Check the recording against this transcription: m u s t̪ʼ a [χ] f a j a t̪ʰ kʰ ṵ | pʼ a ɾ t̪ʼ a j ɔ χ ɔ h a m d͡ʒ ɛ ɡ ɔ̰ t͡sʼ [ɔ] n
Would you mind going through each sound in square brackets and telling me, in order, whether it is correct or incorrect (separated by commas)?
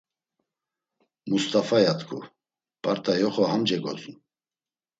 incorrect, incorrect